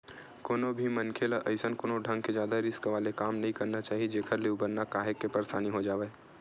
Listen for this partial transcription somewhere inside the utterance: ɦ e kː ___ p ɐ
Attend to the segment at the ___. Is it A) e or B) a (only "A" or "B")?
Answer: A